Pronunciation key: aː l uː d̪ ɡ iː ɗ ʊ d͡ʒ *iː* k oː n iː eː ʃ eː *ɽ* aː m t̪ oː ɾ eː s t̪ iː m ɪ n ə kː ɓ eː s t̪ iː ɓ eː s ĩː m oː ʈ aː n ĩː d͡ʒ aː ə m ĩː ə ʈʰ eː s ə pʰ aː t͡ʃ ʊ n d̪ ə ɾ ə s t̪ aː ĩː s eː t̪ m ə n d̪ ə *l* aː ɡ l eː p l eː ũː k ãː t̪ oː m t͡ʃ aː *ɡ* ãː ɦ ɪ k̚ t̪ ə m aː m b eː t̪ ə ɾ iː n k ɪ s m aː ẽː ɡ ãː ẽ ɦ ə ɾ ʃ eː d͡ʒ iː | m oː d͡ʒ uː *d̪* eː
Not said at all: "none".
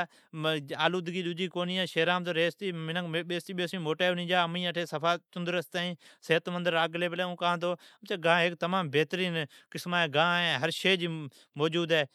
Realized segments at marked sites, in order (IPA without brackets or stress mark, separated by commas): iː, ɾ, ɾ, ɡ, d̪